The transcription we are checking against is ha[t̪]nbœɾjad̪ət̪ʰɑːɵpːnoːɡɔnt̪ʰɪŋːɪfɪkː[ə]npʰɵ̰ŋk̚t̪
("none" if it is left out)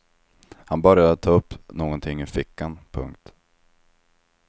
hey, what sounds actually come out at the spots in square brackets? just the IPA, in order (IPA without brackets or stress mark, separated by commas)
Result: none, a